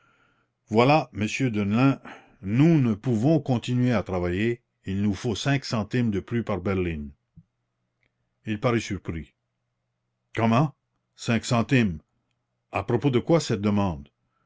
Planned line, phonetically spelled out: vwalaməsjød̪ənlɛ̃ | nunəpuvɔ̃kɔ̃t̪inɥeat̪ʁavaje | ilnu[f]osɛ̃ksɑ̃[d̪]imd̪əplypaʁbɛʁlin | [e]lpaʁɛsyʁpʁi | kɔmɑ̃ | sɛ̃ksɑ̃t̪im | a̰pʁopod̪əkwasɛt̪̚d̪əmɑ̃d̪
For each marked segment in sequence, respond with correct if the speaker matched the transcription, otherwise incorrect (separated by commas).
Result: correct, incorrect, incorrect